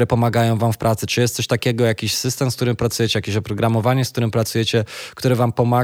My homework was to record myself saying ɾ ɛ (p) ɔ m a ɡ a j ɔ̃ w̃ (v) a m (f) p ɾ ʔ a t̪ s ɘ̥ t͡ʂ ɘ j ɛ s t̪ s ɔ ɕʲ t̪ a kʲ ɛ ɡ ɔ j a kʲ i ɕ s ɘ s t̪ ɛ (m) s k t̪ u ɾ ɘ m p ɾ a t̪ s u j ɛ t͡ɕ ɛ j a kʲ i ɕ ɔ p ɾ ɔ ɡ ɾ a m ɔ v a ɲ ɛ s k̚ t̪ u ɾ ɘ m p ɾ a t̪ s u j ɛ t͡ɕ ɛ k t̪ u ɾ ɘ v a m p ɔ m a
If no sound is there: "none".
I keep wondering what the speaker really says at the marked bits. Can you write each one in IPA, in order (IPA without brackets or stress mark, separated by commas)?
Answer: p, v, f, m